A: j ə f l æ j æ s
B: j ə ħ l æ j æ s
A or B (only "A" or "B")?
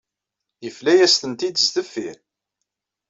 A